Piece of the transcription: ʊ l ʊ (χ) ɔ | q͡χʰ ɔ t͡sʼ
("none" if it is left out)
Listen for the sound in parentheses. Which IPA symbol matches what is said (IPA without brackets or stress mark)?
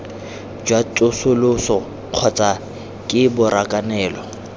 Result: s